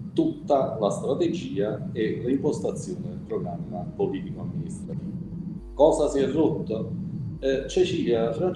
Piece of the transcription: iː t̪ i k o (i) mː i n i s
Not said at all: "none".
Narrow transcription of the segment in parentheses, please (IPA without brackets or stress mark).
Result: a